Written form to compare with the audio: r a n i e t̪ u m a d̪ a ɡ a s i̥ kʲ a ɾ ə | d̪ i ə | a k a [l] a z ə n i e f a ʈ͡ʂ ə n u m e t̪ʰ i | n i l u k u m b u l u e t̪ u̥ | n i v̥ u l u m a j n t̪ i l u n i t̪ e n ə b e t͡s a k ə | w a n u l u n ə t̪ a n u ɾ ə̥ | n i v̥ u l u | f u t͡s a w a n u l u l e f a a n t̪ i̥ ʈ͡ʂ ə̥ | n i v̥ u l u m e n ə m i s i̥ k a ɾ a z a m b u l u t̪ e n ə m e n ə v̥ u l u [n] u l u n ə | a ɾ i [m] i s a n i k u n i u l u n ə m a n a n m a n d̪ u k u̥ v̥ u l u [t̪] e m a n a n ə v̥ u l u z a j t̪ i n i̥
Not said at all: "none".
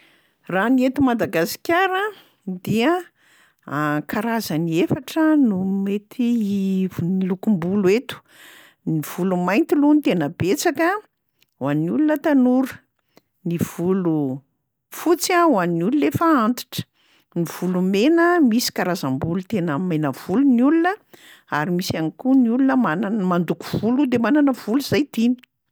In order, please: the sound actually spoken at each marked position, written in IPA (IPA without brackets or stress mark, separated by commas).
ɾ, n, m, d̪